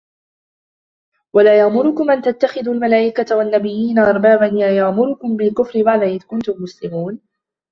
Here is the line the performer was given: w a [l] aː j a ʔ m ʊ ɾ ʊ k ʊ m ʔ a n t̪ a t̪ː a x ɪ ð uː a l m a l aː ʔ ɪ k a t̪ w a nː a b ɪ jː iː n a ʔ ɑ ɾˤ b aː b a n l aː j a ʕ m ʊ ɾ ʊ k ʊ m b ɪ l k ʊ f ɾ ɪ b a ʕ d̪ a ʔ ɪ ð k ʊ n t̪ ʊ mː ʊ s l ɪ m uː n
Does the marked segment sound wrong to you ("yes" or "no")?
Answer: no